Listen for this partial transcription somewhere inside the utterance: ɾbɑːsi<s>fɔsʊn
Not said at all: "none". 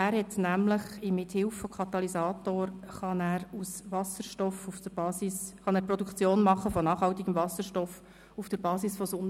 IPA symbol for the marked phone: s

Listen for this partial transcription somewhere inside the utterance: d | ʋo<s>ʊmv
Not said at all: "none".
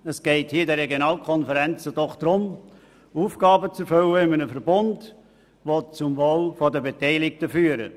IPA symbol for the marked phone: t͡s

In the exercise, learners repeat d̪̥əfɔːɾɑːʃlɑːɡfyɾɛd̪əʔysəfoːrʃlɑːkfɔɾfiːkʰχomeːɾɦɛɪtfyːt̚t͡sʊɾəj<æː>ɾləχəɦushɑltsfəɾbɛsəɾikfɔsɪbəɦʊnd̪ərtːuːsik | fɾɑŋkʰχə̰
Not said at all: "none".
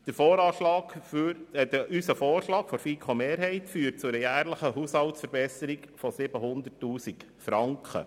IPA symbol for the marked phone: æː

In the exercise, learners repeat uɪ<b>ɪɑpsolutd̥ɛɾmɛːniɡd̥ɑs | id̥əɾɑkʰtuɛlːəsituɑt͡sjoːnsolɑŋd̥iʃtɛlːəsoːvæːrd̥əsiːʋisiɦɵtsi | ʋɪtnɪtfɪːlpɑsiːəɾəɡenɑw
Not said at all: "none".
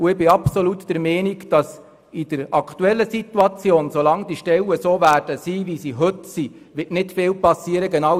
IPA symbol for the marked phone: b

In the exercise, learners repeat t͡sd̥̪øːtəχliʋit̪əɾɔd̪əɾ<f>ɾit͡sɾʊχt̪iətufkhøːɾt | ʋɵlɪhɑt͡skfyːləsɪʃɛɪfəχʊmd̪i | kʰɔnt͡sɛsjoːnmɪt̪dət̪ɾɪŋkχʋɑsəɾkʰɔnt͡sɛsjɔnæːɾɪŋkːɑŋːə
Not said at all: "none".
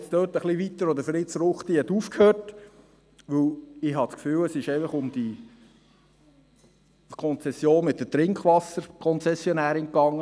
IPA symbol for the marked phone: f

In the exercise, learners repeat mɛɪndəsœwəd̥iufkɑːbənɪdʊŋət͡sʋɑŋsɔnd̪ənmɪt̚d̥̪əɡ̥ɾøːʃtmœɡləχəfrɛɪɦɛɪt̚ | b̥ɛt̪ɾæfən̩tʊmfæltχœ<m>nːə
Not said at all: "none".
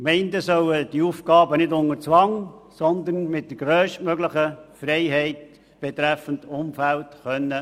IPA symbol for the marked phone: none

